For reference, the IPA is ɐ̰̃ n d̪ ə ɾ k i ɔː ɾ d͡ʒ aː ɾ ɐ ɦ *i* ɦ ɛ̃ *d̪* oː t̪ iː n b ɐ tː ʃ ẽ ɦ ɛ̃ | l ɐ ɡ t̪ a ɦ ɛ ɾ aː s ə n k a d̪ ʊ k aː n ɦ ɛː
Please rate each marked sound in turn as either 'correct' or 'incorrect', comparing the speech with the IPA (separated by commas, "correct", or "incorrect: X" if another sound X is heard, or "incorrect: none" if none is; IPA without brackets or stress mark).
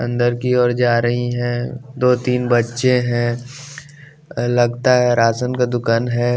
correct, correct